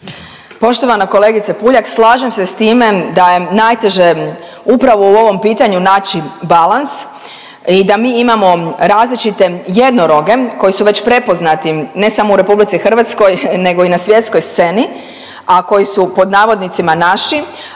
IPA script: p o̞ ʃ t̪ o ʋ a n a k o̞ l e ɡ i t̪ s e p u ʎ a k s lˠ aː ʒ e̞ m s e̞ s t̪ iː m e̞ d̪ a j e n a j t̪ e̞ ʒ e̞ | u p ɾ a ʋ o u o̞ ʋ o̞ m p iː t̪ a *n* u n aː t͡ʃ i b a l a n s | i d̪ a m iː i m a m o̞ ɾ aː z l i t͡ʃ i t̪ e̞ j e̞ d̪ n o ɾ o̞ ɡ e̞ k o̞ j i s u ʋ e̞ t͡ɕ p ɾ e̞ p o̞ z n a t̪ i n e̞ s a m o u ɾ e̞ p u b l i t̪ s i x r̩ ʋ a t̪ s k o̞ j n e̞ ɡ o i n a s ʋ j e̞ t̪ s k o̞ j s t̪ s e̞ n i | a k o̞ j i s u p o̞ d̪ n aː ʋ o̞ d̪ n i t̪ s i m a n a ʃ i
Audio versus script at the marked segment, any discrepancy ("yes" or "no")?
yes